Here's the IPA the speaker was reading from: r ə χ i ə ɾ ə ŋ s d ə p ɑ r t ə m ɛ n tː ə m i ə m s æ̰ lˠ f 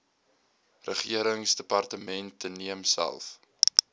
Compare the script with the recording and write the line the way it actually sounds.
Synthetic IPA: r ə χ i ə ɾ ə ŋ s d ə p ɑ r t ə m ɛ n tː ə n i ə m s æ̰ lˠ f